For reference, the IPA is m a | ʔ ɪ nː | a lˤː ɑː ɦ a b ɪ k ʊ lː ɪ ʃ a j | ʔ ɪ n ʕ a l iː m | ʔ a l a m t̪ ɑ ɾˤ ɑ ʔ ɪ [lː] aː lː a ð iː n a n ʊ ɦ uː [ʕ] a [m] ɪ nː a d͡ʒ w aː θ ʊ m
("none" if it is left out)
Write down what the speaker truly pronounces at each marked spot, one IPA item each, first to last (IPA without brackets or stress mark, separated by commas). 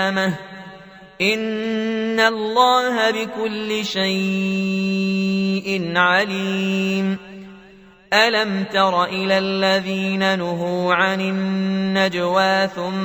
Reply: l, ʕ, n